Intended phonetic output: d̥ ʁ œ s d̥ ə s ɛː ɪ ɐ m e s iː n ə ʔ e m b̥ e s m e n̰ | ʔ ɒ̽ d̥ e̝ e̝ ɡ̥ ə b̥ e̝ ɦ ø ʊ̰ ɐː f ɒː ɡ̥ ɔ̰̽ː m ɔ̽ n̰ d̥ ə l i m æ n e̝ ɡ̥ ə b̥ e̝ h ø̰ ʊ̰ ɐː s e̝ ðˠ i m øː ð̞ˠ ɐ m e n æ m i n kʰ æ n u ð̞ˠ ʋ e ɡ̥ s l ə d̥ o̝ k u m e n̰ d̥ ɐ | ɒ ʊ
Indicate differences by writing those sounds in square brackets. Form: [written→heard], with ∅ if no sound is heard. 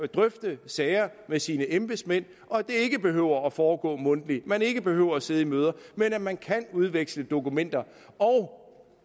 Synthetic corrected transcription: d̥ ʁ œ [s→f] d̥ ə s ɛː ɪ ɐ m e s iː n ə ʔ e m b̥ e s m e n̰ | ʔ ɒ̽ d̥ e̝ e̝ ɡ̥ ə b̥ e̝ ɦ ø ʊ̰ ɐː f ɒː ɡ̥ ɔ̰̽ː m ɔ̽ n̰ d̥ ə l i m æ n e̝ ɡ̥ ə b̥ e̝ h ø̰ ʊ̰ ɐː s e̝ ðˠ i m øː ð̞ˠ ɐ m e n æ m [i→æ] n kʰ æ n u ð̞ˠ ʋ e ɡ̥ s l ə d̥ o̝ k u m e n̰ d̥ ɐ | ɒ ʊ